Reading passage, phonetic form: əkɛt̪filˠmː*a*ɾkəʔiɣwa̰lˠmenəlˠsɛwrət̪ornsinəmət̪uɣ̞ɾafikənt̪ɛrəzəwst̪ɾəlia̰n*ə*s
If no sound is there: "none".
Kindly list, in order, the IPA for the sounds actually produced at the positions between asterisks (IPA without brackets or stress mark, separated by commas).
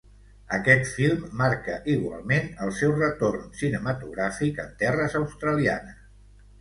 a, ə